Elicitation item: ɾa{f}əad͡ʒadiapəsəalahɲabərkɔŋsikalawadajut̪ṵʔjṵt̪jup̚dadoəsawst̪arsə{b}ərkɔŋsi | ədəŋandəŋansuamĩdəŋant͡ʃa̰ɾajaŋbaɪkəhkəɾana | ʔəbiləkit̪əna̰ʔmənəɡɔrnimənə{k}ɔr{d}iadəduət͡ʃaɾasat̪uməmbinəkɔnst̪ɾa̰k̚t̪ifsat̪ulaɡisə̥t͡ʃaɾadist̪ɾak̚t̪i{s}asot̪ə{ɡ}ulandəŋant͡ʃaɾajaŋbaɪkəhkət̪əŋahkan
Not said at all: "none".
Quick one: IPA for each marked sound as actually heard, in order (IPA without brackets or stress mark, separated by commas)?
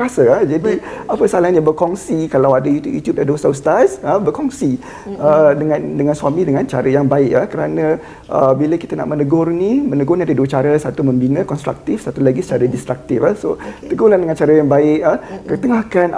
s, b, ɡ, n, f, ɡ